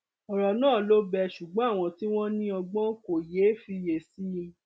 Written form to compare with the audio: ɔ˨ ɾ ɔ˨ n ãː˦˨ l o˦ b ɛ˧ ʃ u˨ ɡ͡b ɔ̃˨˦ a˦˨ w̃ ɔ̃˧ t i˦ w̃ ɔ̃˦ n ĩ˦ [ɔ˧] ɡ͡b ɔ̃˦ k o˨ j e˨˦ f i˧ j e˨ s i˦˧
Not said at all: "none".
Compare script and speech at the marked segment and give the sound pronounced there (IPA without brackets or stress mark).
ɔ˧